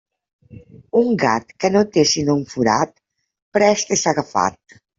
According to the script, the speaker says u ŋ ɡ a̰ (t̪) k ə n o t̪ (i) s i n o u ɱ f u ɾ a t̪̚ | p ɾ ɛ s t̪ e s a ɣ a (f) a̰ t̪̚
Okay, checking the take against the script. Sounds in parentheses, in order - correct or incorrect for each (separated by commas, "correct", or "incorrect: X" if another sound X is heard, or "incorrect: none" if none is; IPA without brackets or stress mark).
correct, incorrect: e, correct